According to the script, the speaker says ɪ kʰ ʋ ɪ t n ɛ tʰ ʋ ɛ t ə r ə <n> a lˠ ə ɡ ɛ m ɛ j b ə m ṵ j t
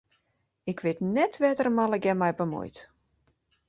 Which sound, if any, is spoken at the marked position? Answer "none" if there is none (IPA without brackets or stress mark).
m